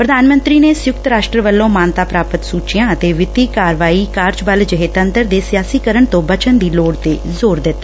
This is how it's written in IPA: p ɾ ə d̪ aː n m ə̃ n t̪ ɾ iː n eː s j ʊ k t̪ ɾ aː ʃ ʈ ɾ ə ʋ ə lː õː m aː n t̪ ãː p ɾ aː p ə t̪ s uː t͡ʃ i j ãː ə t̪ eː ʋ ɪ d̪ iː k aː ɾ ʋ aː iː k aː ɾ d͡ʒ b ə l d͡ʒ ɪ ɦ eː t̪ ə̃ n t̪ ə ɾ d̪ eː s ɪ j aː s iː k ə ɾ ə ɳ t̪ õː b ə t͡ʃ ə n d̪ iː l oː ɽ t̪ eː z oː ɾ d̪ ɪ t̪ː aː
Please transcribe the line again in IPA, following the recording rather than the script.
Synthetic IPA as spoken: p ɾ ə d̪ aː n m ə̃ n t̪ ɾ iː n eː s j ʊ k t̪ ɾ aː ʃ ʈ ɾ ə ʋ ə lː õː m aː n t̪ aː p ɾ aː p ə t̪ s uː t͡ʃ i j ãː ə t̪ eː ʋ ɪ t̪ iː k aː ɾ ʋ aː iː k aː ɾ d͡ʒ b ə l d͡ʒ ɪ ɦ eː t̪ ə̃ n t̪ ə ɾ d̪ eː s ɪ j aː s iː k ə ɾ ə ɳ t̪ õː b ə t͡ʃ ə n d̪ iː l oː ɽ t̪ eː z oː ɾ d̪ ɪ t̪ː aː